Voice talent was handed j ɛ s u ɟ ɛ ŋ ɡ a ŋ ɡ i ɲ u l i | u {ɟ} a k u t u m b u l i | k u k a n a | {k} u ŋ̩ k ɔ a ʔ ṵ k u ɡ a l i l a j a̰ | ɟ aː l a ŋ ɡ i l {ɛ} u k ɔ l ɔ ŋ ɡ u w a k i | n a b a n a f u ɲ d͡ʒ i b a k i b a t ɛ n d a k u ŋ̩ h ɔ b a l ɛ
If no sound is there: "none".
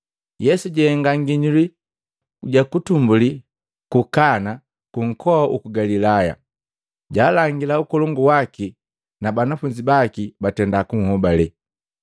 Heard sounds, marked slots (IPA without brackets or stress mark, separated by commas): ɟ, k, a